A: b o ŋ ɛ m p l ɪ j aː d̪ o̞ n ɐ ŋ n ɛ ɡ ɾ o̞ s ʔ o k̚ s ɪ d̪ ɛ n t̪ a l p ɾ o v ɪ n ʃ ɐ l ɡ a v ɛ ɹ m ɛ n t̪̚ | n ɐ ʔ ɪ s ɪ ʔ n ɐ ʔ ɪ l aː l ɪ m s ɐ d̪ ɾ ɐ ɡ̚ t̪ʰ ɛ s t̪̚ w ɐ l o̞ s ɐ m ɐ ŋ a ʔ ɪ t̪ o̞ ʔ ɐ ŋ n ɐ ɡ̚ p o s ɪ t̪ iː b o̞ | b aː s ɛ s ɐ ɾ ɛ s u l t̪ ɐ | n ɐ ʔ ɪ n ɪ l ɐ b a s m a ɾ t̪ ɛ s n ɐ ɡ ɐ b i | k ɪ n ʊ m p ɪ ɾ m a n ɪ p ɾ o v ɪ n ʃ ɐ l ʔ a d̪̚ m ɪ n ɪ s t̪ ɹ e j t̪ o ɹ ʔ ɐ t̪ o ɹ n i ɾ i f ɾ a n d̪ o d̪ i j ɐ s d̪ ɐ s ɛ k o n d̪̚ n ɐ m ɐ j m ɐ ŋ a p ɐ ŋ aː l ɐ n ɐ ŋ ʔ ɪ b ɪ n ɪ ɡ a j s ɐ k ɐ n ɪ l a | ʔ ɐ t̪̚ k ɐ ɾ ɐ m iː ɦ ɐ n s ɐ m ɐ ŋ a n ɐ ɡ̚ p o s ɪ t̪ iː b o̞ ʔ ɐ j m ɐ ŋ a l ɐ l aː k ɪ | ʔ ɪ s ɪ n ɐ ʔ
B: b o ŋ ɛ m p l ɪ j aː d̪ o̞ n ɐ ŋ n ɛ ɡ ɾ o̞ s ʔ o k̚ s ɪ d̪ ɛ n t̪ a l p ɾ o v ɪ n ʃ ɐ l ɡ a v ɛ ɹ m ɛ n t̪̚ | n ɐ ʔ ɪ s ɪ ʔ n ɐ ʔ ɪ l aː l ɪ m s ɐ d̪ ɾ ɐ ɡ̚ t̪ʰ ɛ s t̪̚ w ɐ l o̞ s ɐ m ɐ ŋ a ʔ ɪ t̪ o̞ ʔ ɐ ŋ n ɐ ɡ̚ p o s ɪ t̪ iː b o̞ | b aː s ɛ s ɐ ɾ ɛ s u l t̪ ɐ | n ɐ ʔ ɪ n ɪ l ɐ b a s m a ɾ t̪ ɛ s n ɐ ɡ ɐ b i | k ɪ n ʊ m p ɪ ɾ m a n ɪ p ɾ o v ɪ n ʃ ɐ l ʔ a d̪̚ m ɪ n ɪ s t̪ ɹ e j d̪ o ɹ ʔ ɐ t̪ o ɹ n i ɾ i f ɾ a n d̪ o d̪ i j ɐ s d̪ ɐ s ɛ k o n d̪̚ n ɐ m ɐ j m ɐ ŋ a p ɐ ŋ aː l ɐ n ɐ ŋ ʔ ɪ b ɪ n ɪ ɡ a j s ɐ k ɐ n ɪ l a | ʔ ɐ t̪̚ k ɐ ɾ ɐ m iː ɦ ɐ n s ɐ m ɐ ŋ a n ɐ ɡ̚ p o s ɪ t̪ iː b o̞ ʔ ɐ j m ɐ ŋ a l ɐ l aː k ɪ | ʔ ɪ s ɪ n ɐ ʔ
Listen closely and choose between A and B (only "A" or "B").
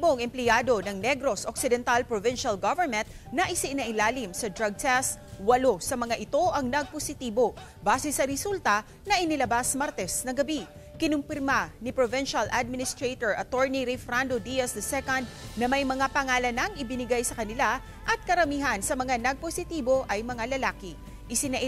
A